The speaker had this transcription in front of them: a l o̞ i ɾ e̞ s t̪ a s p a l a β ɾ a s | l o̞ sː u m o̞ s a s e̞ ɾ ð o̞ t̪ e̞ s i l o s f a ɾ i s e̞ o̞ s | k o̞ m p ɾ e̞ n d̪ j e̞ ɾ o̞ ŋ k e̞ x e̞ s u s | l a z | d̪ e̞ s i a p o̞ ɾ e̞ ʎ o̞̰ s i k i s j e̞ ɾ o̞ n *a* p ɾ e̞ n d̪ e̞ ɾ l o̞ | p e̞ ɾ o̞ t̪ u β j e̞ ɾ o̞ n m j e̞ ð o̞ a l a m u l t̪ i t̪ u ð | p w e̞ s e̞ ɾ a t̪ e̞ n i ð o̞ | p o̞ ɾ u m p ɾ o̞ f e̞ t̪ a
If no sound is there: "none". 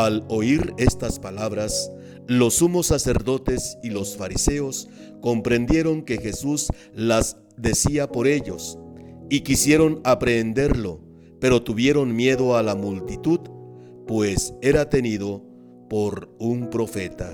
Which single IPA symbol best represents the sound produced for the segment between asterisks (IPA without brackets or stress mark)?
a